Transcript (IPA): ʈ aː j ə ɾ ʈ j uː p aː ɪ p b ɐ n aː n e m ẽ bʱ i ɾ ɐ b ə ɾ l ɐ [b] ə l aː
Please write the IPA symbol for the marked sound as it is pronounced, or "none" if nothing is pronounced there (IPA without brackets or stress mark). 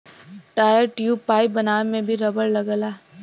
ɡ